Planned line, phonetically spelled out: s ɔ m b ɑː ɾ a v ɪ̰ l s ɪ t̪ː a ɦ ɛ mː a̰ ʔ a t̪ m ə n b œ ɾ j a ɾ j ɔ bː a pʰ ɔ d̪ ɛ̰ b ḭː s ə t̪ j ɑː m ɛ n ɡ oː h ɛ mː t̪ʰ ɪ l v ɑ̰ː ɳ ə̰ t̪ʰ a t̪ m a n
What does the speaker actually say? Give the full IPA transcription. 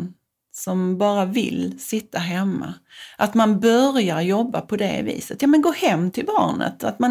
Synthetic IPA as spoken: s ɔ m b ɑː ɾ a v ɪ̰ l s ɪ t̪ː a ɦ ɛ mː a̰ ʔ a t̪ m a n b œ ɾ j a ɾ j ɔ bː a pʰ ɔ d̪ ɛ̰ v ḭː s ə t̪ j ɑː m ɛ n ɡ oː h ɛ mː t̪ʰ ɪ l b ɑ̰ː ɳ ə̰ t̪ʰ a t̪ m a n